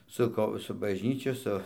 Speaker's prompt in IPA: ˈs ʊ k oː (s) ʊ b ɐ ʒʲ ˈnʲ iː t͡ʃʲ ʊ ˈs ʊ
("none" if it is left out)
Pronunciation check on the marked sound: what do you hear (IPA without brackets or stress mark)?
s